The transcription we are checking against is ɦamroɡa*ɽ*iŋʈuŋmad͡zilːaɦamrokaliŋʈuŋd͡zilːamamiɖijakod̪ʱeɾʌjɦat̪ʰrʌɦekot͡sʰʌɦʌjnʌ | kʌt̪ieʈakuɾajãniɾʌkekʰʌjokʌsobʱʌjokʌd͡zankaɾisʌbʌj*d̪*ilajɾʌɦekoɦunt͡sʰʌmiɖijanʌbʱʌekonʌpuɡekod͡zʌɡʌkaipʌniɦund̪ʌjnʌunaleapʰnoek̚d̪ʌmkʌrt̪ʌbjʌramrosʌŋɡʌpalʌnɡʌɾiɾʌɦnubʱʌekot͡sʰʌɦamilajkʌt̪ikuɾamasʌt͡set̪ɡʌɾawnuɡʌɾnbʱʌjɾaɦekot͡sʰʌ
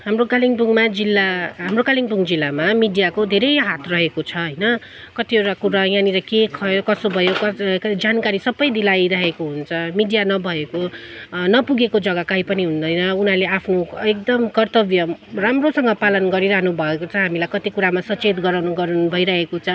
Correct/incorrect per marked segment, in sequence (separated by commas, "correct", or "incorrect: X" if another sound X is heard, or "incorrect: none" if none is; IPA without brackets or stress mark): incorrect: l, correct